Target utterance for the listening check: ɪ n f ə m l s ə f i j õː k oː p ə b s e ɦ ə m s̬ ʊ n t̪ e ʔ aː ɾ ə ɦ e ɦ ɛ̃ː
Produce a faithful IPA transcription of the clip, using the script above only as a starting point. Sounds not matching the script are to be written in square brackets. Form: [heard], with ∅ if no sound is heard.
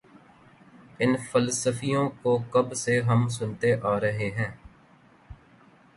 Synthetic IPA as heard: ɪ n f ə [∅] l s ə f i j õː k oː [k] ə b s e ɦ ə m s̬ ʊ n t̪ e ʔ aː ɾ ə ɦ e ɦ ɛ̃ː